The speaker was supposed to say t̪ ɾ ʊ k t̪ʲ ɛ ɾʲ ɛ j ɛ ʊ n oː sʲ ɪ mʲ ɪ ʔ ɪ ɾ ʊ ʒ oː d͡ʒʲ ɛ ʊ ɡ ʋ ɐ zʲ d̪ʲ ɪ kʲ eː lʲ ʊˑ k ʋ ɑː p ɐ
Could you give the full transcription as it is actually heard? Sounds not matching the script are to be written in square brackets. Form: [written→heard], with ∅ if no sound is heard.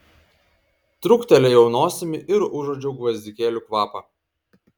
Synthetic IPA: t̪ ɾ ʊ k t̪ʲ ɛ [ɾʲ→lʲ] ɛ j ɛ ʊ n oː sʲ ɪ mʲ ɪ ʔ ɪ ɾ ʊ ʒ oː d͡ʒʲ ɛ ʊ ɡ ʋ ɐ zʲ d̪ʲ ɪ kʲ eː lʲ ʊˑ k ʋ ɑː p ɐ